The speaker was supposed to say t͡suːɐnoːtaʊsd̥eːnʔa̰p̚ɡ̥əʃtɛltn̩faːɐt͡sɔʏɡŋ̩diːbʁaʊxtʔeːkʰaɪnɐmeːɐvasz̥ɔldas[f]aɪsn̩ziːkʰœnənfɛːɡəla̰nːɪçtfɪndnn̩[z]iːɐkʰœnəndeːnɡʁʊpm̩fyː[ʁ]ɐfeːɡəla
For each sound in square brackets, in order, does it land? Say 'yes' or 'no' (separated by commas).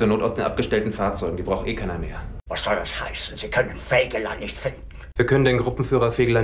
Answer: no, no, yes